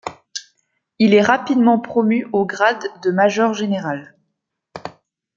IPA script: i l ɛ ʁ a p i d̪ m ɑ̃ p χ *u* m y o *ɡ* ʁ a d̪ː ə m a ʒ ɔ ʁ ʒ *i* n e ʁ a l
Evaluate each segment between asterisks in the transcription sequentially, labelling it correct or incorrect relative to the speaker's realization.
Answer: incorrect: ɔ, correct, incorrect: e

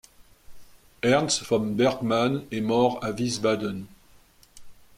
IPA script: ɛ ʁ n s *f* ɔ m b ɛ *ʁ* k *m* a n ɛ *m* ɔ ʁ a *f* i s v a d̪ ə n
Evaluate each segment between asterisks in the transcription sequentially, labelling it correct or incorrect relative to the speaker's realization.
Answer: correct, correct, correct, correct, incorrect: v

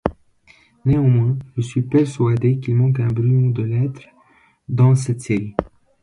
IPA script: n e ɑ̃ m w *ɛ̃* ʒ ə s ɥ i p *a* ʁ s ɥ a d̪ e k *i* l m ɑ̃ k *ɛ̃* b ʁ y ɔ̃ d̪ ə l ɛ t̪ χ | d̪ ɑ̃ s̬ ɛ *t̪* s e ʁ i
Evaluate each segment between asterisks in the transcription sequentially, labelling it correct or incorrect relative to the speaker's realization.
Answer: correct, incorrect: ɛ, correct, correct, correct

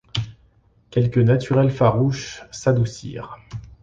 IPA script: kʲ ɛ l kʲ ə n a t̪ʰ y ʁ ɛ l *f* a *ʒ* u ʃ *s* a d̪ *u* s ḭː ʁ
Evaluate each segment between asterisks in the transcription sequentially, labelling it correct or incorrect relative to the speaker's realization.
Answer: correct, incorrect: ʁ, correct, correct

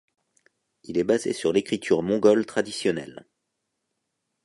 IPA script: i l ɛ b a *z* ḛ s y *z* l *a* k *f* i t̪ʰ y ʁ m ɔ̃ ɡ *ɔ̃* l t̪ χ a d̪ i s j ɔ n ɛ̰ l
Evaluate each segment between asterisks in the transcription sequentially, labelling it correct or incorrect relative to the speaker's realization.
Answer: correct, incorrect: ʁ, incorrect: e, incorrect: χ, incorrect: ɔ

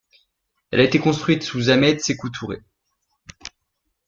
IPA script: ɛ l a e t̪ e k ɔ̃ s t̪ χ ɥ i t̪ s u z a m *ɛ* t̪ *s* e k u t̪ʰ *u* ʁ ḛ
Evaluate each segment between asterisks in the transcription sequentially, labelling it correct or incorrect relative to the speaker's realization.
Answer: correct, correct, correct

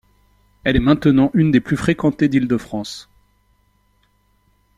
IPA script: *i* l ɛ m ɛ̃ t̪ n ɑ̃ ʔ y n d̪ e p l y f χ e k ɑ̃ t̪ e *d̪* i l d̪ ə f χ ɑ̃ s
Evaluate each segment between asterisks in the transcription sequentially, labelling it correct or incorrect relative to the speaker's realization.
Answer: incorrect: ɛ, correct

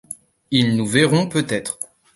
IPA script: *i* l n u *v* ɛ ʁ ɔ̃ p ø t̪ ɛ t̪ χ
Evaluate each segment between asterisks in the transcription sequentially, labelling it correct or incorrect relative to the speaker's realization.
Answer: correct, correct

